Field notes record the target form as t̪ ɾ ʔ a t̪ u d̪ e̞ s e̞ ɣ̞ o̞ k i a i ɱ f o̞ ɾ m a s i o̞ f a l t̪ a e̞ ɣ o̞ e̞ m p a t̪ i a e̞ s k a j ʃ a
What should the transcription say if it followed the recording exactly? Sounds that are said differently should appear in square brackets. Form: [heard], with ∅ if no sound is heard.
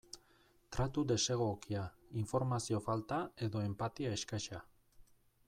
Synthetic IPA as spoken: t̪ ɾ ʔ a t̪ u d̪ e̞ s e̞ ɣ̞ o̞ k i a i ɱ f o̞ ɾ m a s i o̞ f a l t̪ a e̞ [ð] o̞ e̞ m p a t̪ i a e̞ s k a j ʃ a